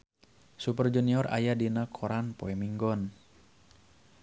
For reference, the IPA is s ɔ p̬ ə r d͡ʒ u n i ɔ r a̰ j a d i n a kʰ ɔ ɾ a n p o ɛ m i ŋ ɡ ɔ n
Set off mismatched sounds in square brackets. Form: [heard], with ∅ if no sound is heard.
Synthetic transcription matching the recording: s [u] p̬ ə r d͡ʒ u n i ɔ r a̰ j a d i n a kʰ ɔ ɾ a n p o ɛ m i ŋ ɡ ɔ n

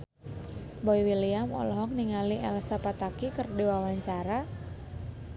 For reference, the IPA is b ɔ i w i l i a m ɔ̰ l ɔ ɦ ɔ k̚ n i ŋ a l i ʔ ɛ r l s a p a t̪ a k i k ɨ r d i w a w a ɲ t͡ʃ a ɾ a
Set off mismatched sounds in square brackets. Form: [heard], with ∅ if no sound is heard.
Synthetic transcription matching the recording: b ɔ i w i l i a m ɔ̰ l ɔ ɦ ɔ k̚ n i ŋ a l i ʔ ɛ [∅] l s a p a t̪ a k i k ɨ r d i w a w a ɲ t͡ʃ a ɾ a

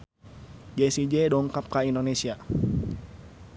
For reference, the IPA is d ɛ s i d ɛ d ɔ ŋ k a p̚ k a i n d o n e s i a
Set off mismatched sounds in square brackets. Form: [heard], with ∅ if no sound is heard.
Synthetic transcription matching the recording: [d͡ʒ] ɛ s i [d͡ʒ] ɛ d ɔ ŋ k a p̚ k a i n d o n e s i a

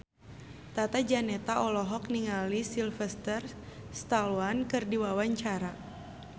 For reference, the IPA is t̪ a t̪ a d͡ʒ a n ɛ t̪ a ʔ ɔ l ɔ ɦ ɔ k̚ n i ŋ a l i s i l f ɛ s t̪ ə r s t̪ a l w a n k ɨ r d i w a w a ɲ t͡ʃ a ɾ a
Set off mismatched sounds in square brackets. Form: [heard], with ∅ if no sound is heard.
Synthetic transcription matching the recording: t̪ a t̪ a d͡ʒ a n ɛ t̪ a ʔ ɔ l ɔ ɦ ɔ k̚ n i ŋ a l i s i l f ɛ s t̪ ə r s t̪ a l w a n k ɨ r d i w a w a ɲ t͡ʃ a ɾ a

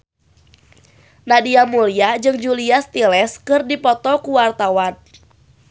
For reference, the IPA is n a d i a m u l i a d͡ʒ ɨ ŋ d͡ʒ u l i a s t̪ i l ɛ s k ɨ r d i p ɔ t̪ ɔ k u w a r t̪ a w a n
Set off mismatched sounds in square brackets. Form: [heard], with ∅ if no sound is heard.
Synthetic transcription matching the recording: n a d i a m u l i a d͡ʒ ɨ ŋ d͡ʒ u l i a s t̪ i l ɛ s k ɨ r d i p ɔ t̪ ɔ k u w a r t̪ a w a n

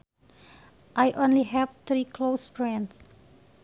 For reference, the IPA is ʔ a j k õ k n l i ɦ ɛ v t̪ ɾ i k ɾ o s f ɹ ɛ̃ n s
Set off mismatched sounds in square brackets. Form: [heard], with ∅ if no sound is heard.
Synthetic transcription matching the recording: ʔ a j [ʔ] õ [∅] n l i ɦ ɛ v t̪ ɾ i k [l] o s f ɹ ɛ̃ n s

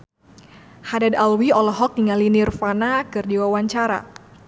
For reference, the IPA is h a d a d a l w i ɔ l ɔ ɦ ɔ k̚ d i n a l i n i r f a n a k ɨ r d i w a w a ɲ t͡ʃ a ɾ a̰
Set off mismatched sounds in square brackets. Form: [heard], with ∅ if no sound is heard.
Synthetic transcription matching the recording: h a d a d a l w i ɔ l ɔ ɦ ɔ k̚ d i [ŋ] a l i n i r f a n a k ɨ r d i w a w a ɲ t͡ʃ a ɾ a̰

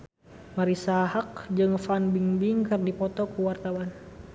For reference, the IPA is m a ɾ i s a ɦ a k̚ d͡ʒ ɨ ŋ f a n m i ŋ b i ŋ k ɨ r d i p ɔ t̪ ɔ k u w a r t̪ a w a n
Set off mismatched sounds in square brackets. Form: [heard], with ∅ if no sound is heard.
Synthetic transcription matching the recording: m a ɾ i s a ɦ a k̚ d͡ʒ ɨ ŋ f a n [b] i ŋ b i ŋ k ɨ r d i p ɔ t̪ ɔ k u w a r t̪ a w a n

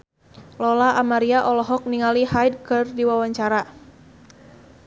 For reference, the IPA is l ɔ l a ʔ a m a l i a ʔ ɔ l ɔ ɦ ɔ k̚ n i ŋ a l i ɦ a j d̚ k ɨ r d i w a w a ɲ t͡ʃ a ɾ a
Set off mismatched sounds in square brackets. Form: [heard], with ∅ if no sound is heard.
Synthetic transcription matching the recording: l ɔ l a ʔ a m a [ɾ] i a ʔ ɔ l ɔ ɦ ɔ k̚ n i ŋ a l i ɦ a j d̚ k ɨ r d i w a w a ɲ t͡ʃ a ɾ a

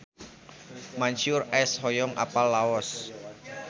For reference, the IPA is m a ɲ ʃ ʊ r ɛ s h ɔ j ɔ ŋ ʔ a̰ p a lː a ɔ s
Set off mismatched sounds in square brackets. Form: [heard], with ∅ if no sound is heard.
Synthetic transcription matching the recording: m a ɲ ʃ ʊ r ɛ s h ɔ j ɔ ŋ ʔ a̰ p a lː a ɔ s

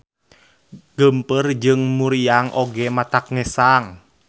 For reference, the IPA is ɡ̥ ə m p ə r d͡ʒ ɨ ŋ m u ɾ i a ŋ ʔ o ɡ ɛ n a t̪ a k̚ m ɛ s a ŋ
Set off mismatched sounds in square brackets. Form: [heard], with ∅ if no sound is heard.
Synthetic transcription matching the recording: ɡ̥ ə m p ə r d͡ʒ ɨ ŋ m u ɾ i a ŋ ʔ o ɡ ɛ [m] a t̪ a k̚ [ŋ] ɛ s a ŋ

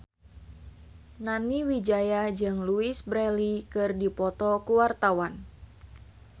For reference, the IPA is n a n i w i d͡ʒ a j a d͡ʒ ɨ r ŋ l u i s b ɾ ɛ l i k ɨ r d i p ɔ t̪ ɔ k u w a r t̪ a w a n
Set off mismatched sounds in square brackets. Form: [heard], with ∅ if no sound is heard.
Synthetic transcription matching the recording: n a n i w i d͡ʒ a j a d͡ʒ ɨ [∅] ŋ l u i s b ɾ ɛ l i k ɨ r d i p ɔ t̪ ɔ k u w a r t̪ a w a n

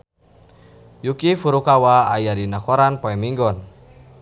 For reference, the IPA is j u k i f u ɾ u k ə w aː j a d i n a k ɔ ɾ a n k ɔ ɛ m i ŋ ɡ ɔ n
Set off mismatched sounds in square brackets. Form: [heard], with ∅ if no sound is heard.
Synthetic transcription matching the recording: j u k i f u ɾ u k [a] w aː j a d i n a k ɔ ɾ a n [p] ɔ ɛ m i ŋ ɡ ɔ n

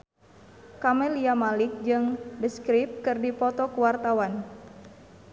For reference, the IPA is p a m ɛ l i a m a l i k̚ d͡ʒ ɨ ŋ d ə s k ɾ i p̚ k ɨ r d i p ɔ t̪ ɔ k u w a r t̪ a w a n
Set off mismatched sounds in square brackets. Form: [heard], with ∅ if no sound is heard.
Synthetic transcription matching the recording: [k] a m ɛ l i a m a l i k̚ d͡ʒ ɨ ŋ d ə s k ɾ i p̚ k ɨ r d i p ɔ t̪ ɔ k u w a r t̪ a w a n

